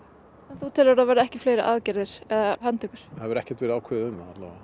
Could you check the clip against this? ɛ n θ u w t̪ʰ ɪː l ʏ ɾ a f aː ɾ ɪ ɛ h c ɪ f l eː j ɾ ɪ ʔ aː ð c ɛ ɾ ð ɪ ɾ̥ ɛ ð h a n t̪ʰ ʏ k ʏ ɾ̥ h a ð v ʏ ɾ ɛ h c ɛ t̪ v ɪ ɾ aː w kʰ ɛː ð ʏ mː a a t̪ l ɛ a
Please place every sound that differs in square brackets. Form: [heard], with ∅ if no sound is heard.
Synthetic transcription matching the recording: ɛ n θ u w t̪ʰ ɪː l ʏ ɾ a [v] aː ɾ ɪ ɛ h c ɪ f l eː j ɾ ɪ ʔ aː ð c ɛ ɾ ð ɪ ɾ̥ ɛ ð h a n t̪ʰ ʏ k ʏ ɾ̥ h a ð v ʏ ɾ ɛ h c ɛ t̪ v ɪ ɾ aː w kʰ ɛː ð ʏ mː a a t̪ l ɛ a